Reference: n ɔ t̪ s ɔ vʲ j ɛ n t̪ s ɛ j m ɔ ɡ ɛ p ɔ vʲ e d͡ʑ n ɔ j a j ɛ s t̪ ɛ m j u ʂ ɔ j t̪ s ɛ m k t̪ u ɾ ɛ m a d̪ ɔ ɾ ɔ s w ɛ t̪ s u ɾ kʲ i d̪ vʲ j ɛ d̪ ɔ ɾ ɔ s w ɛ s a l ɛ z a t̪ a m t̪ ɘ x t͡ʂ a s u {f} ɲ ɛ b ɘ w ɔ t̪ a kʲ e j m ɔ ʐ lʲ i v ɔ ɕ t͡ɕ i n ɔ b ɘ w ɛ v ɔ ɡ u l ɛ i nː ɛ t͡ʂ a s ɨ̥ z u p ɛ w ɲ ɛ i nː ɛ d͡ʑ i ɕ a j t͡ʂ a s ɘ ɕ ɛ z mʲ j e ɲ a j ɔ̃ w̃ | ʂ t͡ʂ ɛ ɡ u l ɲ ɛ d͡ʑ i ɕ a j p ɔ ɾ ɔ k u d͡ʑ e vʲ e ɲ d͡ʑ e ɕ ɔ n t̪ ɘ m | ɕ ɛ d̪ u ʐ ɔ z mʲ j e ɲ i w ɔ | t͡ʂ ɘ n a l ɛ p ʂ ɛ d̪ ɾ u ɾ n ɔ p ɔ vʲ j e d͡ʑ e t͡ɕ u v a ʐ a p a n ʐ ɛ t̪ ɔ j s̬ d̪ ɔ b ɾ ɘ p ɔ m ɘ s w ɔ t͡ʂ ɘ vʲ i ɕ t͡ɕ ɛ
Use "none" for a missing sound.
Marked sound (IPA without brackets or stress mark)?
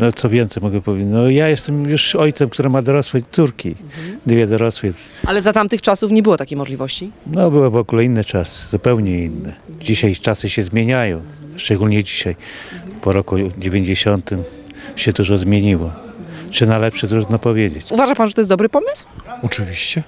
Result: f